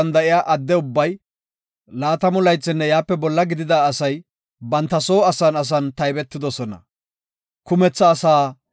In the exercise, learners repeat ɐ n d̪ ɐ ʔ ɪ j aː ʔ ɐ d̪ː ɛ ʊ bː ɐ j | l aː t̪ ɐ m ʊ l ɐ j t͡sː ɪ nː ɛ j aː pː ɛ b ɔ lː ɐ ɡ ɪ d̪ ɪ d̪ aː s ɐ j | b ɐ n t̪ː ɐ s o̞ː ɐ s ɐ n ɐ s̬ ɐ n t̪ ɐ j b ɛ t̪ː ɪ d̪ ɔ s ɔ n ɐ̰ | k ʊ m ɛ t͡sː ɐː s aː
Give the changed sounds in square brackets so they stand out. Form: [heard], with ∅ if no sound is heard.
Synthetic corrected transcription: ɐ n d̪ ɐ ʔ ɪ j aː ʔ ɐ d̪ː ɛ ʊ bː ɐ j | l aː t̪ ɐ m ʊ l ɐ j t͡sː ɪ nː ɛ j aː pː ɛ b ɔ lː ɐ ɡ ɪ d̪ ɪ d̪ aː s ɐ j | b ɐ n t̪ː ɐ s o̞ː ɐ s ɐ n ɐ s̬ ɐ n t̪ ɐ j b ɛ t̪ː ɪ d̪ ɔ s ɔ n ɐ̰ | k ʊ m ɛ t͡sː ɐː s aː